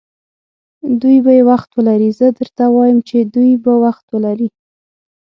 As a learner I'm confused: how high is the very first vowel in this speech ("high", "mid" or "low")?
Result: high